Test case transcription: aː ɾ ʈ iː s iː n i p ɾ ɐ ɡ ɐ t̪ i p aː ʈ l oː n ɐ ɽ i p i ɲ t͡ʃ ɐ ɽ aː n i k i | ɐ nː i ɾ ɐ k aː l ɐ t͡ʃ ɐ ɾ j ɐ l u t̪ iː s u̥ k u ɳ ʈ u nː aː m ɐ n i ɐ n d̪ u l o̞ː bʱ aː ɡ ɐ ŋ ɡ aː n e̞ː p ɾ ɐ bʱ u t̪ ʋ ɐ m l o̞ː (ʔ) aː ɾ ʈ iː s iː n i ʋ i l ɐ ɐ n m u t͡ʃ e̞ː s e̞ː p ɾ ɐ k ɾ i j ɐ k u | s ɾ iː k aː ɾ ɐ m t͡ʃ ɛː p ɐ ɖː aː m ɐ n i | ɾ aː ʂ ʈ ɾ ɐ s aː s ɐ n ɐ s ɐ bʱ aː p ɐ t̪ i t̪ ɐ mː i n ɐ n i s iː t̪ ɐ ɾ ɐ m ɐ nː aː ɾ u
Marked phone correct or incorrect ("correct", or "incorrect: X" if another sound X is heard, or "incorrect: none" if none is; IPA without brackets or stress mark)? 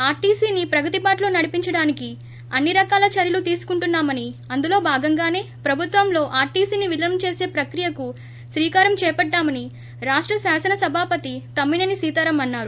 correct